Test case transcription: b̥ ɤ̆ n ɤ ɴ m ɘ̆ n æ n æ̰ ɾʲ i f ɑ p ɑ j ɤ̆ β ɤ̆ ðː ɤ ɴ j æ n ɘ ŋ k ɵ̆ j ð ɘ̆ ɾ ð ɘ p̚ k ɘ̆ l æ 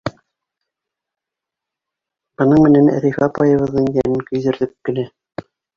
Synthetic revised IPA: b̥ ɤ̆ n ɤ ɴ m ɘ̆ n æ n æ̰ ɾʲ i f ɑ p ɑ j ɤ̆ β ɤ̆ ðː ɤ ɴ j æ n ɘ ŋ k ɵ̆ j ð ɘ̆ ɾ ð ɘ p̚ k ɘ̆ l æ